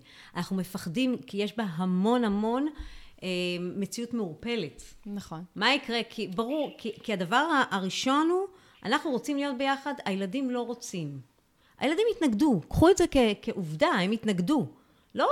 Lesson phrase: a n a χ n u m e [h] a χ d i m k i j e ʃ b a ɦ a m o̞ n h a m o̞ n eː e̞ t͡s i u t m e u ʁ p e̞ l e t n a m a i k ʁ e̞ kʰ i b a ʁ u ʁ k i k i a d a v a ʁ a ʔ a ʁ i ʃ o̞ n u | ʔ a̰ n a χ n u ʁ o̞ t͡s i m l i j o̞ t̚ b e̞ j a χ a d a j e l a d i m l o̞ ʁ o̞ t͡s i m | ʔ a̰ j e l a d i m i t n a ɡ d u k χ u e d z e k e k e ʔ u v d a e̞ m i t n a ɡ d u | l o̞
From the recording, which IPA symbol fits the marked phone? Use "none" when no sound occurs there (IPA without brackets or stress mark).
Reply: f